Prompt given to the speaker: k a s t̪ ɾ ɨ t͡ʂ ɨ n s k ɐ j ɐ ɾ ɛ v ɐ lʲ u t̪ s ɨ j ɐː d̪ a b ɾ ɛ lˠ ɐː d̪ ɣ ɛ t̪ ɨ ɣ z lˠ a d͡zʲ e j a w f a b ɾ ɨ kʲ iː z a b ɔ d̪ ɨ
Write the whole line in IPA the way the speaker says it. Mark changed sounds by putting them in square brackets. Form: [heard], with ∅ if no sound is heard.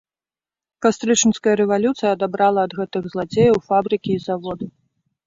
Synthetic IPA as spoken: k a s t̪ ɾ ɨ t͡ʂ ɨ n s k ɐ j ɐ ɾ ɛ v [a] lʲ u t̪ s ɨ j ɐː d̪ a b ɾ [a] lˠ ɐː d̪ ɣ ɛ t̪ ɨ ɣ z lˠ a d͡zʲ e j [ɐ] w f a b ɾ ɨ kʲ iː z a [v] ɔ d̪ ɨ

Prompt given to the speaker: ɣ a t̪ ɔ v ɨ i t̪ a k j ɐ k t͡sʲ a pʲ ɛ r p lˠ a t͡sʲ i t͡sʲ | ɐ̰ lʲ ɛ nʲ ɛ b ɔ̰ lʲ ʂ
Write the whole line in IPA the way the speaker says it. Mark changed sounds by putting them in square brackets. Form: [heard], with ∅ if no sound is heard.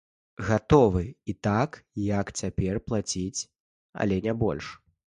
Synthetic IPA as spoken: ɣ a t̪ ɔ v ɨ i t̪ a k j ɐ k t͡sʲ a pʲ ɛ r p lˠ a t͡sʲ i t͡sʲ | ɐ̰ lʲ ɛ nʲ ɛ b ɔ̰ lʲ ʂ

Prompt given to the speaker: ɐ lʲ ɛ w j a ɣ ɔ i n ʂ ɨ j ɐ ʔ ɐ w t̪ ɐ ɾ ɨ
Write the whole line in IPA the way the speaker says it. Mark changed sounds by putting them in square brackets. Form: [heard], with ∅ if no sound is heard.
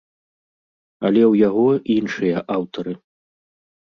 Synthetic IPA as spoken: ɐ lʲ ɛ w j a ɣ ɔ i n ʂ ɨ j ɐ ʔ [a] w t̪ ɐ ɾ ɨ

